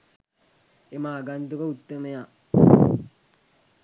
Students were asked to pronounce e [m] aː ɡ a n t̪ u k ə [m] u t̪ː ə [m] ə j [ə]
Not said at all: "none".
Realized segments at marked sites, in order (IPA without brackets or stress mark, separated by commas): m, none, m, a